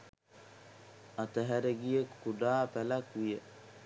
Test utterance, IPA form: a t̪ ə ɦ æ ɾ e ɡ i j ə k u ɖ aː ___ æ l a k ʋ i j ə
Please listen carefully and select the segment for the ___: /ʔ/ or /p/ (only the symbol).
p